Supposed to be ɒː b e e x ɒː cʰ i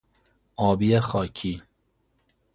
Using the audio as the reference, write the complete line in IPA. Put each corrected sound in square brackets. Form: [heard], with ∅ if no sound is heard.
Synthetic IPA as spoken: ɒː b [i] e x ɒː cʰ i